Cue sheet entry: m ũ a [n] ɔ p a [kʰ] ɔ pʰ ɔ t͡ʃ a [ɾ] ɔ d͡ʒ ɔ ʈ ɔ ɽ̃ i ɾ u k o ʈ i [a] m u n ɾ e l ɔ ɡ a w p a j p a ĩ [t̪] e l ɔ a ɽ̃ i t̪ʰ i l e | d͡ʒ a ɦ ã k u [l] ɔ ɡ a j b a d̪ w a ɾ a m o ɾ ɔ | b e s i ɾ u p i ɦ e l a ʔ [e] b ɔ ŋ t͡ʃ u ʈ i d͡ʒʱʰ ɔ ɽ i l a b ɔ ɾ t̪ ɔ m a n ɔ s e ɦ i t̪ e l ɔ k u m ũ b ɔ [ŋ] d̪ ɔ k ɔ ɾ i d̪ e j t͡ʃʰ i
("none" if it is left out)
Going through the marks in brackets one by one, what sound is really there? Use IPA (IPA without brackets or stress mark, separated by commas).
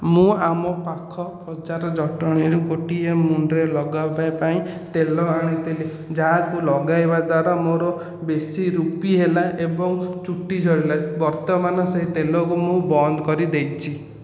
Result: m, kʰ, ɾ, e, t̪, l, e, n